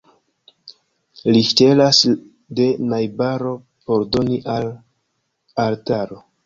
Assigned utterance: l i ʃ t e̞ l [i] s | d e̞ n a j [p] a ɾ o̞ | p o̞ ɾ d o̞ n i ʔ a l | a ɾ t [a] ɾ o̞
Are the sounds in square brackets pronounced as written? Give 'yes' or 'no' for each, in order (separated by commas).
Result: no, no, yes